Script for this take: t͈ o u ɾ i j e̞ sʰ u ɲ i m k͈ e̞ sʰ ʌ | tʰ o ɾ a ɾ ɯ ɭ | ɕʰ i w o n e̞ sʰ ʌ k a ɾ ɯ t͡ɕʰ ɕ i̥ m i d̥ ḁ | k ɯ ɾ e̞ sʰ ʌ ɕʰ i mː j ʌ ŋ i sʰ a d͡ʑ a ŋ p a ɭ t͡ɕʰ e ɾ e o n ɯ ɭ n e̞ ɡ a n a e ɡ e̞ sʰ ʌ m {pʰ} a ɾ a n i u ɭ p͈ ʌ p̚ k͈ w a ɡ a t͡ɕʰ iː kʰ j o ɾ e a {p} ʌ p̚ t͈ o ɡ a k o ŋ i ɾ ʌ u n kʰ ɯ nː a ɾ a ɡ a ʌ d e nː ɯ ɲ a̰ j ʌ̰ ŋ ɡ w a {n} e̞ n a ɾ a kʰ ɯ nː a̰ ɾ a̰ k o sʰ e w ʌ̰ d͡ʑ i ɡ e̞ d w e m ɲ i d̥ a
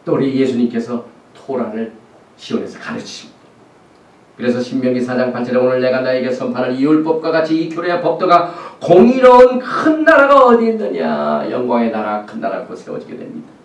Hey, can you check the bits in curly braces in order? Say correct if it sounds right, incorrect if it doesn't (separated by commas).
correct, correct, incorrect